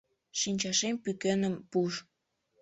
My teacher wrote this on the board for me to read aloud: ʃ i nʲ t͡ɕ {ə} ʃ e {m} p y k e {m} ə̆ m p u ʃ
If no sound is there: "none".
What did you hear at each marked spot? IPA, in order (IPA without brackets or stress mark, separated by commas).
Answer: ɑ, m, n